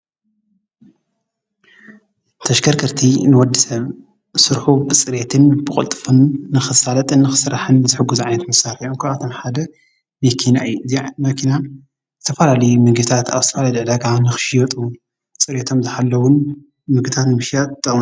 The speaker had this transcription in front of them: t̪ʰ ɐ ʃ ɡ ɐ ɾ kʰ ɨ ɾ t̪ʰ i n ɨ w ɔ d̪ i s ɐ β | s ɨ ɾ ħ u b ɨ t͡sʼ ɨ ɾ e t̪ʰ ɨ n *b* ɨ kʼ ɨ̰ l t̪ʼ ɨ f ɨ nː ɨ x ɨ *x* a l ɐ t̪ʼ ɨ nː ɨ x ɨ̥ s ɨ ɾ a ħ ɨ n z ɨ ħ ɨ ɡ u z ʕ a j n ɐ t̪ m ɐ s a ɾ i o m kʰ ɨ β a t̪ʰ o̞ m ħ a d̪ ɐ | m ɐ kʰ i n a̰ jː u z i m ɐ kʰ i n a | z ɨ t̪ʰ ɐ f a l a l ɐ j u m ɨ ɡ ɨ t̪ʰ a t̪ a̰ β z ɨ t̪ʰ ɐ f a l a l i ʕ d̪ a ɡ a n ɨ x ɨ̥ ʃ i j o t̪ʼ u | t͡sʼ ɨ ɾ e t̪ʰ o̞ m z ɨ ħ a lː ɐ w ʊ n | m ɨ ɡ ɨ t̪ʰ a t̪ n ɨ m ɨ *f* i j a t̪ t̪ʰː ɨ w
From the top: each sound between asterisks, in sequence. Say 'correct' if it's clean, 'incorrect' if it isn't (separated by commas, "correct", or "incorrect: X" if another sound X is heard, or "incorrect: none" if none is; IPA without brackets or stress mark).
correct, incorrect: s, incorrect: ʃ